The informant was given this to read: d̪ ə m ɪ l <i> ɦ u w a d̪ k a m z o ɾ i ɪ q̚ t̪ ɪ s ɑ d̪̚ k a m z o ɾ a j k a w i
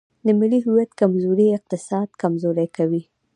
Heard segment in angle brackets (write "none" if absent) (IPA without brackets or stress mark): i